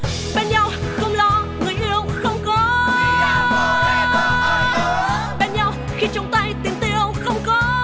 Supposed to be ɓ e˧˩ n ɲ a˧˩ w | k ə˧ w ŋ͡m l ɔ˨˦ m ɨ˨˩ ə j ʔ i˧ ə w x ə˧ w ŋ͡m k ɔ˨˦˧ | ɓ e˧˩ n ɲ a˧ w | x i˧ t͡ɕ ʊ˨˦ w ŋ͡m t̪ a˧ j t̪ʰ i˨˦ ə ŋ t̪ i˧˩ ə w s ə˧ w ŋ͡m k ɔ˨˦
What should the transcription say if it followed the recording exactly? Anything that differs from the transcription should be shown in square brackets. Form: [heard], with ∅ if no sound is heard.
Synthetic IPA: ɓ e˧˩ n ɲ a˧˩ w | [x] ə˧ w ŋ͡m l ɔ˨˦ [ŋ] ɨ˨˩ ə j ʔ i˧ ə w x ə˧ w ŋ͡m k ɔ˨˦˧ | ɓ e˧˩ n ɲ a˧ w | x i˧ t͡ɕ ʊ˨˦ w ŋ͡m t̪ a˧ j [t̪] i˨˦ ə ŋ t̪ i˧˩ ə w [x] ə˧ w ŋ͡m k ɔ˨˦

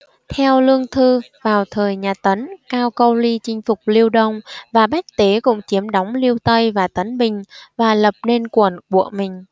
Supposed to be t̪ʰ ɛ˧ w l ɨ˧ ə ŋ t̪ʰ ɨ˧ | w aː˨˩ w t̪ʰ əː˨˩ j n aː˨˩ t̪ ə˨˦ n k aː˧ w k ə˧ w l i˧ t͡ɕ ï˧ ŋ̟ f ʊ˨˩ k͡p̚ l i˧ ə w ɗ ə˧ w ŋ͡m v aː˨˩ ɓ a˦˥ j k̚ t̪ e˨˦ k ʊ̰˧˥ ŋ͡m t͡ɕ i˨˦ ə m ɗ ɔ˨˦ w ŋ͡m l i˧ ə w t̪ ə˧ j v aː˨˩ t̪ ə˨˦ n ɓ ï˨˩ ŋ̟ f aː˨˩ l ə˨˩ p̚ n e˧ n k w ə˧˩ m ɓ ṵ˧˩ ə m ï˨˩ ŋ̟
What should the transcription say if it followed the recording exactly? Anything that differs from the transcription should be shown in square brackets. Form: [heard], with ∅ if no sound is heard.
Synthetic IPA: t̪ʰ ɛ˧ w l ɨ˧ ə ŋ t̪ʰ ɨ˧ | [v] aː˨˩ w t̪ʰ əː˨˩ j [ɲ] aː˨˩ t̪ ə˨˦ n k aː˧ w k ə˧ w l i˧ t͡ɕ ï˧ ŋ̟ f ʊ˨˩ k͡p̚ l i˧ ə w ɗ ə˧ w ŋ͡m v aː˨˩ ɓ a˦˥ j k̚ t̪ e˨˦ k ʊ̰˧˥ ŋ͡m t͡ɕ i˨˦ ə m ɗ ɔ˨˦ w ŋ͡m l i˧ ə w t̪ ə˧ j v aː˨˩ t̪ ə˨˦ n ɓ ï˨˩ ŋ̟ [v] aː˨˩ l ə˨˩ p̚ n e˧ n k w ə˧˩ [n] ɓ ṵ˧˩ ə m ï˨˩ ŋ̟

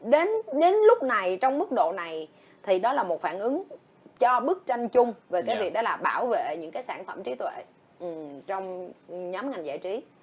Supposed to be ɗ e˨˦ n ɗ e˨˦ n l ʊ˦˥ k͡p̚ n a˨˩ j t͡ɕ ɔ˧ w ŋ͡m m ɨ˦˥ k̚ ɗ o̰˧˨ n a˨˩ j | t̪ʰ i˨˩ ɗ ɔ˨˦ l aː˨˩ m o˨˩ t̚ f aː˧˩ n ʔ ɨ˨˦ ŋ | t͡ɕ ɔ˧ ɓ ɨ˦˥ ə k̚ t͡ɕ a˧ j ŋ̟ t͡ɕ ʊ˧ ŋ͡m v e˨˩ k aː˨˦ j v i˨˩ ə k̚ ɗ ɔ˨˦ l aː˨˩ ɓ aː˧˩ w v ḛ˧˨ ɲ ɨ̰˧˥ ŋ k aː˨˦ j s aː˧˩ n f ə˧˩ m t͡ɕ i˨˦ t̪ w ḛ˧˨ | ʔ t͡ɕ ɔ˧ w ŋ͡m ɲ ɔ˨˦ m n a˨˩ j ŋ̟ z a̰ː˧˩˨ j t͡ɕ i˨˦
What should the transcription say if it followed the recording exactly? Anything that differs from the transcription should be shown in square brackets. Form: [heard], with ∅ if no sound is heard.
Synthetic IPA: ɗ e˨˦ n ɗ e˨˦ n l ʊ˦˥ k͡p̚ n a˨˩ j t͡ɕ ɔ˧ w ŋ͡m m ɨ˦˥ k̚ ɗ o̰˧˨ n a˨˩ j | t̪ʰ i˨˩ ɗ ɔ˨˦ l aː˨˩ m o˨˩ t̚ f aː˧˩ n ʔ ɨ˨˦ ŋ | t͡ɕ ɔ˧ ɓ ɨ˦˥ ə k̚ t͡ɕ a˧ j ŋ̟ t͡ɕ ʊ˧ ŋ͡m v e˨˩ k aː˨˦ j v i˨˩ ə k̚ ɗ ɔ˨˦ l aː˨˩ ɓ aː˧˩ w v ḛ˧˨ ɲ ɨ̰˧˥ ŋ k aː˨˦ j s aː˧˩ n f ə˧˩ m t͡ɕ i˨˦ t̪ w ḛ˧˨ | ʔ t͡ɕ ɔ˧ w ŋ͡m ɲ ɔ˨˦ m [ŋ] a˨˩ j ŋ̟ z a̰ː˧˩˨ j t͡ɕ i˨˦

